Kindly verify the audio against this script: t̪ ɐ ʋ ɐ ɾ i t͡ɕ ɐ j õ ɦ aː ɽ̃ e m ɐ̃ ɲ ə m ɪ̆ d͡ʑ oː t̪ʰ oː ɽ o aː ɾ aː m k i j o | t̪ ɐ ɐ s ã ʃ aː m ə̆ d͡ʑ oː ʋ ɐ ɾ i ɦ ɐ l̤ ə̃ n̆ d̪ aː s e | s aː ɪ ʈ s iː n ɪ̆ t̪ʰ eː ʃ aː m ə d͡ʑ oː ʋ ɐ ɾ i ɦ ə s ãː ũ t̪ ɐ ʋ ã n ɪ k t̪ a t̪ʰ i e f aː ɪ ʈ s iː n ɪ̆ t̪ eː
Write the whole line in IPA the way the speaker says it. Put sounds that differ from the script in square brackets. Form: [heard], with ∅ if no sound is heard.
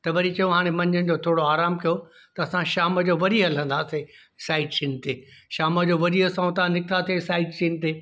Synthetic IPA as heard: t̪ ɐ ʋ ɐ ɾ i t͡ɕ ɐ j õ ɦ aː ɽ̃ e m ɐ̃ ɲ ə [n] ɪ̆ d͡ʑ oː t̪ʰ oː ɽ o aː ɾ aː m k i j o | t̪ ɐ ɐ s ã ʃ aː m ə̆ d͡ʑ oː ʋ ɐ ɾ i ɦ ɐ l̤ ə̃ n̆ d̪ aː s e | s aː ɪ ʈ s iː n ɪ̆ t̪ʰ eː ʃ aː m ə d͡ʑ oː ʋ ɐ ɾ i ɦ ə s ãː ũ t̪ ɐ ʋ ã n ɪ k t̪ a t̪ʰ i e [s] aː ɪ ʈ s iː n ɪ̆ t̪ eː